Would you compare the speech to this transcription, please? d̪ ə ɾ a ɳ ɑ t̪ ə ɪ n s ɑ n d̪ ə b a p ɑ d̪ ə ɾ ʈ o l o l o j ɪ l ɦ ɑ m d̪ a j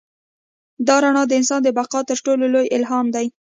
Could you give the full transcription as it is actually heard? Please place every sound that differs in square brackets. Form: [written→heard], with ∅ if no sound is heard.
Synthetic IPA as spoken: d̪ [ə→ɑ] ɾ a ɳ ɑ [t̪→d̪] ə ɪ n s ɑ n d̪ ə b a [p→q] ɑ [d̪→t̪] ə ɾ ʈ o l o l o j ɪ l ɦ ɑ m d̪ a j